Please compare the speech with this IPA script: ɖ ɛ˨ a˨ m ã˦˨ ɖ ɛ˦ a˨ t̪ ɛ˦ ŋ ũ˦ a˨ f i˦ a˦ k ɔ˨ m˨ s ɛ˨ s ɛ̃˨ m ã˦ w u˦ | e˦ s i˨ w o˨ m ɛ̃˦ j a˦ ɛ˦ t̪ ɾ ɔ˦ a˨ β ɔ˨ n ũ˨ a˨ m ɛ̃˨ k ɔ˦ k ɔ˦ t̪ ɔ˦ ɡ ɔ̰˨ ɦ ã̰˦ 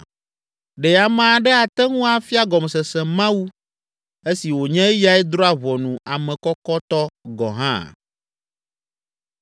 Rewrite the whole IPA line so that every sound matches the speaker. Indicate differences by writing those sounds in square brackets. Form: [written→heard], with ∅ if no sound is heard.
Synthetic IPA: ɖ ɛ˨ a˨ m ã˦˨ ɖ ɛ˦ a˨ t̪ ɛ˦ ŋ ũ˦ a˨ f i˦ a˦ [k→ɡ] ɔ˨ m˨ s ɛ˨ s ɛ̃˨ m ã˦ w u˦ | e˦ s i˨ w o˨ [m→ɲ] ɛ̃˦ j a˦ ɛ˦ [t̪→d̪] ɾ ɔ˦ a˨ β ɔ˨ n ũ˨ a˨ m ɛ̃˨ k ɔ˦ k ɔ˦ t̪ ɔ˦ ɡ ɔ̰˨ ɦ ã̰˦